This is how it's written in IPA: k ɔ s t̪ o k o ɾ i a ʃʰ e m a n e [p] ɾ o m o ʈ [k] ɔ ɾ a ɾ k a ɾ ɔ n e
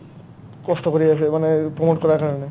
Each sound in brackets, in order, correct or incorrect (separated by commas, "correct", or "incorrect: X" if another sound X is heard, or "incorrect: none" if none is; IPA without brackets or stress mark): correct, correct